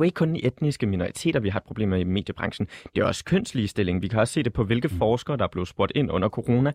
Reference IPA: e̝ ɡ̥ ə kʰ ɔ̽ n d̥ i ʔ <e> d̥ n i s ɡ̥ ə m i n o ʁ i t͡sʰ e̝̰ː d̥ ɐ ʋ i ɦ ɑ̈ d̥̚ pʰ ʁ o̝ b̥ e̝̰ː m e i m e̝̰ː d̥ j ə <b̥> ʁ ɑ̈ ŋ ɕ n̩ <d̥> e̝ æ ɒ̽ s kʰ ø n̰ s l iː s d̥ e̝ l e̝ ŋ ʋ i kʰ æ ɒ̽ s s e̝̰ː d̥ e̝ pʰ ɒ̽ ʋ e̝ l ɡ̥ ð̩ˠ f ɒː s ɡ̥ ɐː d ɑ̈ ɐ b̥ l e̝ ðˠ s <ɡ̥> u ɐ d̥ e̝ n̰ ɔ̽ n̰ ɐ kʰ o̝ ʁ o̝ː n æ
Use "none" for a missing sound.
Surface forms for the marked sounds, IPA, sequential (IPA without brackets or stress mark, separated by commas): e, b̥, d̥, b̥